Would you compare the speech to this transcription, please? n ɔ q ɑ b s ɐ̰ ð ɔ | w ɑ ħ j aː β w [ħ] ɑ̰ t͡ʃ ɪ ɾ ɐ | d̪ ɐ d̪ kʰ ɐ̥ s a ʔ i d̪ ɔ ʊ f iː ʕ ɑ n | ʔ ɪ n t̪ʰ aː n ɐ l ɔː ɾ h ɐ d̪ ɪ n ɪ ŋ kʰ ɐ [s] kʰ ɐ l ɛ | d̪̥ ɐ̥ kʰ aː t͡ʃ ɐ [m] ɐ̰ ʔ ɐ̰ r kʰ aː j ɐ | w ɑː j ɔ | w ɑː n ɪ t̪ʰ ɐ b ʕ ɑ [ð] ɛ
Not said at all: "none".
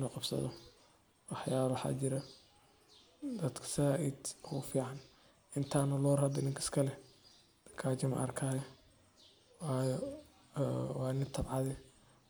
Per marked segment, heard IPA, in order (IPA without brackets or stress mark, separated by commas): ħ, s, m, ð